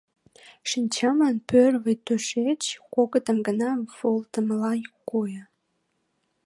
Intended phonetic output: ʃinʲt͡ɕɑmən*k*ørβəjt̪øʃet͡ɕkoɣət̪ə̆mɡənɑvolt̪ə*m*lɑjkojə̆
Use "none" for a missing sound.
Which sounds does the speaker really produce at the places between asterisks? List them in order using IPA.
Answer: p, m

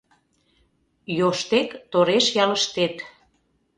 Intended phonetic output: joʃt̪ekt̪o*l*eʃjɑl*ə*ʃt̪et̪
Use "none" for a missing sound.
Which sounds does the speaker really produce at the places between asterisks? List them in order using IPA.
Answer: ɾ, ə

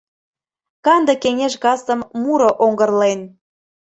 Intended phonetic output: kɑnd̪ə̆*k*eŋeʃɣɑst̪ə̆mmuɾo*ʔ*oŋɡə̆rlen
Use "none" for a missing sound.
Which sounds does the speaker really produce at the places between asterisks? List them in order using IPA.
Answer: k, ʔ

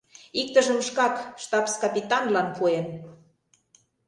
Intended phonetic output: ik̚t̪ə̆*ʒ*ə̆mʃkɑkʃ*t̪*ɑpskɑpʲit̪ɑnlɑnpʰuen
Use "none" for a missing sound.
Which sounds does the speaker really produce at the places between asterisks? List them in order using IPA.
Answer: ʒ, t̪

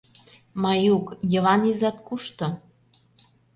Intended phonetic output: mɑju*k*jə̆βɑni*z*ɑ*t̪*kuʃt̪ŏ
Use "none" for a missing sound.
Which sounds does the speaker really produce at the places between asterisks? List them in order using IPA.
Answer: k, z, t̪

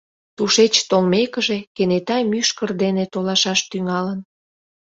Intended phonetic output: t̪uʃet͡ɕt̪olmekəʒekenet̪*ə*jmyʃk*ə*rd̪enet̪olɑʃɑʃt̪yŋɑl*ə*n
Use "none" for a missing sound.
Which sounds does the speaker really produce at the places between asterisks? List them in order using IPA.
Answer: ɑ, ə, ə

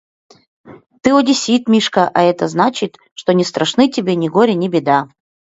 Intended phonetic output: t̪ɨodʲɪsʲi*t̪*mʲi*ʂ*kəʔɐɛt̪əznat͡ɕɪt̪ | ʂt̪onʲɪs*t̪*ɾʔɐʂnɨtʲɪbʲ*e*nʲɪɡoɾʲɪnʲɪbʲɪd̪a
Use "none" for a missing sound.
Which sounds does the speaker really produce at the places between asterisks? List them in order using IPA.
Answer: t̪, ʂ, t̪, e

